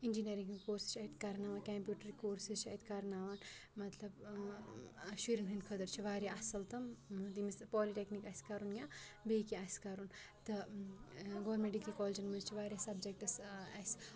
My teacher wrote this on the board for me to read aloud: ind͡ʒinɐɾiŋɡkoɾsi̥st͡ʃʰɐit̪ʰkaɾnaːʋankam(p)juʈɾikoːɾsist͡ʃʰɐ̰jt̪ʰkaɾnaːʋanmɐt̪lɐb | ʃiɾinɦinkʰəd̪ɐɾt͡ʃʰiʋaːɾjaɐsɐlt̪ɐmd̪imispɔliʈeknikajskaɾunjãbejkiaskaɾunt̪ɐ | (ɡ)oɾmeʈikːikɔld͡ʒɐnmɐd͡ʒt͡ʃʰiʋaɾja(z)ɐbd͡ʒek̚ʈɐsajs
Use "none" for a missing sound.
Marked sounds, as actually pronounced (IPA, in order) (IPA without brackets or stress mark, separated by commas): p, ɡ, s